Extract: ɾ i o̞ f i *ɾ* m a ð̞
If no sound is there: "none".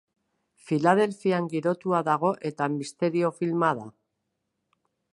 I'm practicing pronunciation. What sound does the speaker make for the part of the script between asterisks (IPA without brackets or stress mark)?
l